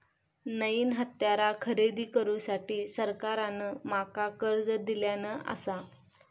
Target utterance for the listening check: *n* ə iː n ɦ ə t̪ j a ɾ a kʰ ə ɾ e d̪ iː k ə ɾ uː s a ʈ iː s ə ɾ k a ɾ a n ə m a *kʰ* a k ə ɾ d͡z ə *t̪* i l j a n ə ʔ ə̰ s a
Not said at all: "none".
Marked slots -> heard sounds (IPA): n, k, d̪

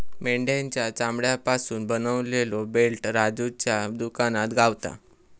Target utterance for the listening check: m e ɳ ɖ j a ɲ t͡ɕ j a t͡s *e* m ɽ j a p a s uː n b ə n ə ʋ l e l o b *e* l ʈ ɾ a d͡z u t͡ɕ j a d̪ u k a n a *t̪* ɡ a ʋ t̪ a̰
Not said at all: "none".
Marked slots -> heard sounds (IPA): a, e, t̪

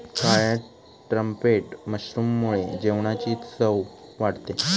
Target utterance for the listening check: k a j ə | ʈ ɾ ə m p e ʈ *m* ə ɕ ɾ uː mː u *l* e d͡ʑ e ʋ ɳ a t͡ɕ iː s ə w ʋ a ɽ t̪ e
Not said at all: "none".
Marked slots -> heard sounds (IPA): m, ɭ

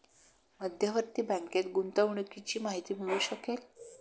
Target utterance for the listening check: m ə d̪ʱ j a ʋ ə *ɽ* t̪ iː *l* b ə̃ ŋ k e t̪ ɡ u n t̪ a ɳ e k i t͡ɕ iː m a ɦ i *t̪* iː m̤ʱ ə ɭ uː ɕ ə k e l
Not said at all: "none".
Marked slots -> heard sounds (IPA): ɾ, none, t̪

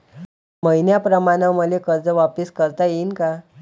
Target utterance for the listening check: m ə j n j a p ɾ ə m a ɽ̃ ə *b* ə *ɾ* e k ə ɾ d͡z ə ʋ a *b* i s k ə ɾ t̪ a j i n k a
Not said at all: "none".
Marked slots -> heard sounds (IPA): m, l, p

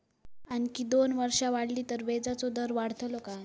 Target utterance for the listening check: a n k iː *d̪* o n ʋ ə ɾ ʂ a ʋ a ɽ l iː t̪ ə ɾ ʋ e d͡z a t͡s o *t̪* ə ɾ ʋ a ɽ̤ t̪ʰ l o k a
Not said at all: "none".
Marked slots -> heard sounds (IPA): d̪, d̪

